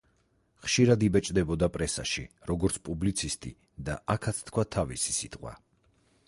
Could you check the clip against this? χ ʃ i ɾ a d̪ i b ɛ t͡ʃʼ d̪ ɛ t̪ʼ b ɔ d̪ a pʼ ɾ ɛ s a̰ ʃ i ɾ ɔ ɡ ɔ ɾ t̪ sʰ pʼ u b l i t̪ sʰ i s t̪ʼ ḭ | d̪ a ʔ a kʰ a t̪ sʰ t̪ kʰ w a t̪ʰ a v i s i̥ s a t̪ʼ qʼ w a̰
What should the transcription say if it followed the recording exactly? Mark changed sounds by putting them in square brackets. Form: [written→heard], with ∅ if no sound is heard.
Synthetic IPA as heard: χ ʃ i ɾ a d̪ i b ɛ t͡ʃʼ d̪ ɛ [t̪ʼ→∅] b ɔ d̪ a pʼ ɾ ɛ s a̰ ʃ i ɾ ɔ ɡ ɔ ɾ t̪ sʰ pʼ u b l i t̪ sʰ i s t̪ʼ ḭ | d̪ a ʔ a kʰ a t̪ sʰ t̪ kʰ w a t̪ʰ a v i s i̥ s [a→i] t̪ʼ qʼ w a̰